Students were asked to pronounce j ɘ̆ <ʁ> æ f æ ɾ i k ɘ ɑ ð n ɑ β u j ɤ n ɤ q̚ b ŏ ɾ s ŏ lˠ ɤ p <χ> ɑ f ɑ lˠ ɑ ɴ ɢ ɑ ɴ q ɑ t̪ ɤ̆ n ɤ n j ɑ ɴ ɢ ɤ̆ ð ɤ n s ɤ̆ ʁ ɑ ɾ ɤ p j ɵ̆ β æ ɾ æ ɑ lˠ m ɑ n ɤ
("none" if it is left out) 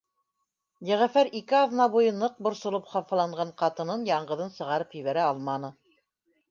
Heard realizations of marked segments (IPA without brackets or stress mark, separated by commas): ʁ, χ